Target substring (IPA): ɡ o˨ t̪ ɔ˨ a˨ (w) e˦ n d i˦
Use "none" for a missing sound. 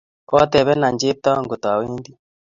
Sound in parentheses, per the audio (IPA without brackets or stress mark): w